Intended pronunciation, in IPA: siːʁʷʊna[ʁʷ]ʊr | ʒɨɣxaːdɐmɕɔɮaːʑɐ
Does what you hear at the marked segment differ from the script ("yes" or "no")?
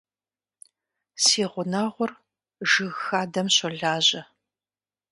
no